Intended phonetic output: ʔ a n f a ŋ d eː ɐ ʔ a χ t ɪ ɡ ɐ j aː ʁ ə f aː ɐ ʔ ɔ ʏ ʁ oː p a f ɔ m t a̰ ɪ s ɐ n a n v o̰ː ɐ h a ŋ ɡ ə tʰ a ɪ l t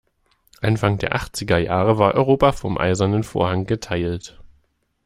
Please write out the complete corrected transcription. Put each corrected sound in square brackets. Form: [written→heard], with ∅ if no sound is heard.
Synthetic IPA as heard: ʔ a n f a ŋ d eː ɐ ʔ a χ [t→t͡s] ɪ ɡ ɐ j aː ʁ ə [f→v] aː ɐ ʔ ɔ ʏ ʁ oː p a f ɔ m [t→ʔ] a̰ ɪ [s→z] ɐ n [a→ə] n [v→f] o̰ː ɐ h a ŋ ɡ ə tʰ a ɪ l t